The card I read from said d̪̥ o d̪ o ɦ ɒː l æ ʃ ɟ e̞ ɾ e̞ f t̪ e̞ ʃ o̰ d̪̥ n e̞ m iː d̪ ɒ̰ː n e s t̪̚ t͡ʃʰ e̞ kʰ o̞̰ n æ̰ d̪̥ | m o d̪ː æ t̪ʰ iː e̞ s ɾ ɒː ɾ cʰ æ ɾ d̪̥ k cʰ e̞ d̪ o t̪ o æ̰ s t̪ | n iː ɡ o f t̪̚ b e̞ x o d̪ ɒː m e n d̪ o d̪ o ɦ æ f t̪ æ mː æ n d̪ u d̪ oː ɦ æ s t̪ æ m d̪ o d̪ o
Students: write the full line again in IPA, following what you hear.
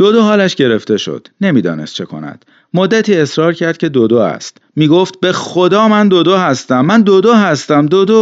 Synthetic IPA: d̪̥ o d̪ o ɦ ɒː l æ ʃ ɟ e̞ ɾ e̞ f t̪ e̞ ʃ o̰ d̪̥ n e̞ m iː d̪ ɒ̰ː n e s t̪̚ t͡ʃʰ e̞ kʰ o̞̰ n æ̰ d̪̥ | m o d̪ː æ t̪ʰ iː e̞ s ɾ ɒː ɾ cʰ æ ɾ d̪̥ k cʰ e̞ d̪ o d̪ o æ̰ s t̪ | m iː ɡ o f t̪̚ b e̞ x o d̪ ɒː m æ n d̪ o d̪ o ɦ æ s t̪ æ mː æ n d̪ o d̪ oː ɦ æ s t̪ æ m d̪ o d̪ o